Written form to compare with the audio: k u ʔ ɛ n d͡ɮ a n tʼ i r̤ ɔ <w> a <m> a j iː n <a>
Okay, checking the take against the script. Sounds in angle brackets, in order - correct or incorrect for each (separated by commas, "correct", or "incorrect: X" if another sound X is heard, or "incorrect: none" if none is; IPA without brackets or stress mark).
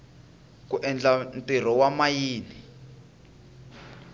correct, correct, incorrect: i